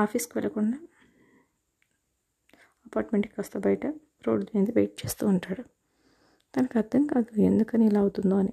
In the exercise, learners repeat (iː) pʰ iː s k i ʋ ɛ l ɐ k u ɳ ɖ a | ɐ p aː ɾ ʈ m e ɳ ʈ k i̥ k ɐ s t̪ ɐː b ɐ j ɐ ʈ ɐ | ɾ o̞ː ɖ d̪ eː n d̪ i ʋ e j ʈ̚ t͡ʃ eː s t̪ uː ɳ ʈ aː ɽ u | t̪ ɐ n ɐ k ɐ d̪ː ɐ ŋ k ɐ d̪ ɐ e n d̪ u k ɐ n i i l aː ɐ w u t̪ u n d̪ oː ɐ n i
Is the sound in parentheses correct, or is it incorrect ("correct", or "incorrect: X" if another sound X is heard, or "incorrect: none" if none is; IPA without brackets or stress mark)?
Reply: incorrect: aː